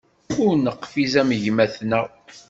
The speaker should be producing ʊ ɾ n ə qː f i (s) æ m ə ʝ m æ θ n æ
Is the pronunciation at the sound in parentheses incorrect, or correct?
incorrect